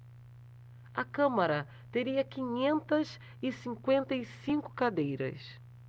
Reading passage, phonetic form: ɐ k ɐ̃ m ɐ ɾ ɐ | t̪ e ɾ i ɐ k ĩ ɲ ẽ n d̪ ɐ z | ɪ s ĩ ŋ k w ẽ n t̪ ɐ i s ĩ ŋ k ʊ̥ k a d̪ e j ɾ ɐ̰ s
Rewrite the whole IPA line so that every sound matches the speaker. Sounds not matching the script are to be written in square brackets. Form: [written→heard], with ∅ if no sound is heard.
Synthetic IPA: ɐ k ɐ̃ m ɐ ɾ ɐ | t̪ e ɾ i ɐ k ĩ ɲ ẽ n [d̪→t̪] ɐ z | ɪ s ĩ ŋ k w ẽ n t̪ ɐ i s ĩ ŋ k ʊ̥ k a d̪ e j ɾ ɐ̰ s